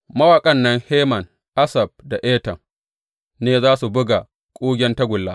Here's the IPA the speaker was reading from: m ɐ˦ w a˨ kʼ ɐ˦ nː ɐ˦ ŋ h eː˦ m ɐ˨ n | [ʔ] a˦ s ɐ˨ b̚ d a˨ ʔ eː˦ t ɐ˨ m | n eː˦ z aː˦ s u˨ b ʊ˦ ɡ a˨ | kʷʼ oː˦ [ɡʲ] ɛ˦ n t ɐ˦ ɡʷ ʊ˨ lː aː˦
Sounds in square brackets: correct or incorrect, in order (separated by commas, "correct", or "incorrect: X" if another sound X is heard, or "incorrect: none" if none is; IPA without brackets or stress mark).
correct, correct